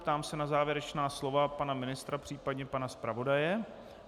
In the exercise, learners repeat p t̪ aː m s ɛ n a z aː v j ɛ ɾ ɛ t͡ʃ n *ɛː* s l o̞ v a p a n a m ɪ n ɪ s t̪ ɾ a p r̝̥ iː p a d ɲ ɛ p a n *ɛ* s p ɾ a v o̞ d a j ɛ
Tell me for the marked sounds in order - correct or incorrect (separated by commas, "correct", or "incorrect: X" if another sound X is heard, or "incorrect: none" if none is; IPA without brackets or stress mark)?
incorrect: aː, incorrect: a